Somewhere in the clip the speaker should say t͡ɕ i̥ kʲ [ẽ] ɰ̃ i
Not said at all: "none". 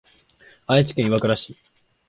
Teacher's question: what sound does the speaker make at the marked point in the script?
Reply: ẽ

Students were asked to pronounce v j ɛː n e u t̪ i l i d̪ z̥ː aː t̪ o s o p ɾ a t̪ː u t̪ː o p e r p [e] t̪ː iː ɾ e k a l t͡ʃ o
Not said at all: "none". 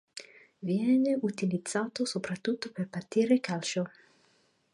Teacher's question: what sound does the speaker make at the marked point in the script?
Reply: a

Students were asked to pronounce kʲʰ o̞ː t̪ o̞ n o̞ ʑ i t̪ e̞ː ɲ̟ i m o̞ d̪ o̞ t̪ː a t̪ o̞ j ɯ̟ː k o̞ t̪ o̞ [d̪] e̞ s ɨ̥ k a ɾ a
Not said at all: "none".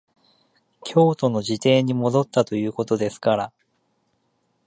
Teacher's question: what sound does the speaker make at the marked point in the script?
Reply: d̪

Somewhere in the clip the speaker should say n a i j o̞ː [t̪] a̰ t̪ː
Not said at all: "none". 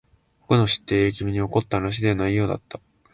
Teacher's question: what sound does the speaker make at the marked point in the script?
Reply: d̪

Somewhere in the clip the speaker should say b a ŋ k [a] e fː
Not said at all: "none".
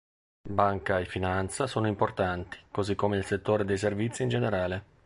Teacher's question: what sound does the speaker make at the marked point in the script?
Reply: a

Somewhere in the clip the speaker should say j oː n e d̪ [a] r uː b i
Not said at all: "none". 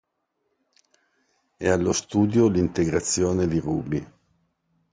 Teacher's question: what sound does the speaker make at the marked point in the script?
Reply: i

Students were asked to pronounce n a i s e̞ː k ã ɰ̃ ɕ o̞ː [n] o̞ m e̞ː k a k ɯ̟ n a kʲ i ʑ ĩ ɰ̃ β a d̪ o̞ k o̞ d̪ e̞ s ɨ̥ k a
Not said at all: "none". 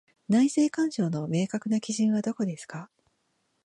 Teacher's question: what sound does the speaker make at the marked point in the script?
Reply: n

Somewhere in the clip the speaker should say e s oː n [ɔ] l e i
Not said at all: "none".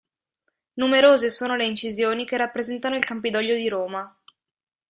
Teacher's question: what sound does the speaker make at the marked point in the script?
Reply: o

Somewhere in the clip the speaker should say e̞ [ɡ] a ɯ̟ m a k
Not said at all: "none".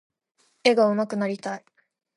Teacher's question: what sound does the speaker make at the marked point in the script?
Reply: ɡ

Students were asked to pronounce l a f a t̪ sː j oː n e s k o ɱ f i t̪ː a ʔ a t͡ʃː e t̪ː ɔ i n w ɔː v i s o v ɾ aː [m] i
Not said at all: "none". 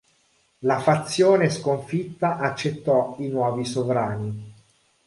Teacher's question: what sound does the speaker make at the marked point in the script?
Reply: n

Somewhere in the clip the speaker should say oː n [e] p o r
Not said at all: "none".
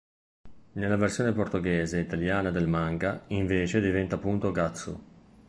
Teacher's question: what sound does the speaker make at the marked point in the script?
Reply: e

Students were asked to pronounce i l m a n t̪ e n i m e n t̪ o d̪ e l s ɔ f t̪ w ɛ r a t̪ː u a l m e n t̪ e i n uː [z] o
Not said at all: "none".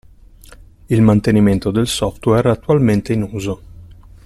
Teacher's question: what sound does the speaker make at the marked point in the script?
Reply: z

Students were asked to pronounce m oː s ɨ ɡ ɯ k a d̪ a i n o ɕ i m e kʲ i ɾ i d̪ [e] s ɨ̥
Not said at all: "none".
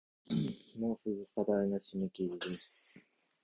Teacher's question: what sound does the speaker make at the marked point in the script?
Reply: e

